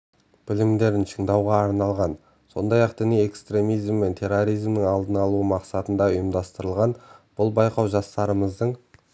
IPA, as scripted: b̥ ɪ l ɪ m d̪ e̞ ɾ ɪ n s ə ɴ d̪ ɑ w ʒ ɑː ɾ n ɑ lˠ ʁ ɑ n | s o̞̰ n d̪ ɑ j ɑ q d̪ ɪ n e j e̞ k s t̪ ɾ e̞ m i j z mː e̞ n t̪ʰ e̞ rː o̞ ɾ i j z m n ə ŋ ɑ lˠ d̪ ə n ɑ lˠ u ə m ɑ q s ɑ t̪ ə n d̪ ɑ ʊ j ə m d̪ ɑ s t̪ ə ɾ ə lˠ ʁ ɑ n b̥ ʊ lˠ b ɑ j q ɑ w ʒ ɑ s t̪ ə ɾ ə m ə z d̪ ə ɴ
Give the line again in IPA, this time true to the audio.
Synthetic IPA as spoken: b̥ ɪ l ɪ m d̪ e̞ ɾ ɪ n ʃ ə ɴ d̪ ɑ w ʁ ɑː ɾ n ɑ lˠ ʁ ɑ n | s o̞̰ n d̪ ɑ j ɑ q d̪ ɪ n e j e̞ k s t̪ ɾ e̞ m i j z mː e̞ n t̪ʰ e̞ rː o̞ ɾ i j z m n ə ŋ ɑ lˠ d̪ ə n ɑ lˠ u ə m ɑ q s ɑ t̪ ə n d̪ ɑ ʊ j ə m d̪ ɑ s t̪ ə ɾ ə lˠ ʁ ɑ n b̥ ʊ lˠ b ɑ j q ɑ w ʒ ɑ s t̪ ɑ ɾ ə m ə z d̪ ə ɴ